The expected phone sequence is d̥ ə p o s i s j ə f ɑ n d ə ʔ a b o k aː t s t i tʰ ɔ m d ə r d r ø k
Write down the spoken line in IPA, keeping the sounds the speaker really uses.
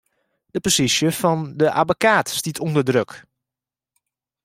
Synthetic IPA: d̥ ə p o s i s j ə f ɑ n d ə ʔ a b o k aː t s t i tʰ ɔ n d ə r d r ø k